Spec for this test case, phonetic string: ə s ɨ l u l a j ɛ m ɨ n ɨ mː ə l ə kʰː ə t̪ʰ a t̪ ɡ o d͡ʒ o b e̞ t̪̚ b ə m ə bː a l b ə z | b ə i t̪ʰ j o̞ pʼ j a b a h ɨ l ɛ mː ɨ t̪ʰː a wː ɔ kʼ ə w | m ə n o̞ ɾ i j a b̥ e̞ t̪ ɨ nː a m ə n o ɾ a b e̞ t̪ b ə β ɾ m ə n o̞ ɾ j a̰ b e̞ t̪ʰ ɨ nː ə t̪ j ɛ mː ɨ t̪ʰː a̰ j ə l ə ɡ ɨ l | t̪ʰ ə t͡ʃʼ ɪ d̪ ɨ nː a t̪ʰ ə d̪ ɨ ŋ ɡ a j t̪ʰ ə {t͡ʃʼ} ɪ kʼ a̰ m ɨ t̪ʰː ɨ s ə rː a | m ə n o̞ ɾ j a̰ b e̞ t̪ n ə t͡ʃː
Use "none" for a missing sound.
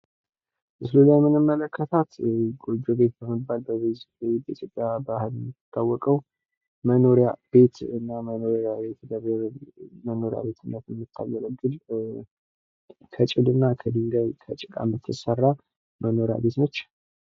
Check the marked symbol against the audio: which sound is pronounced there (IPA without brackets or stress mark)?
t͡ʃʼ